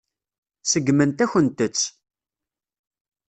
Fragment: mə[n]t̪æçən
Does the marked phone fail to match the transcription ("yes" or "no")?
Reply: no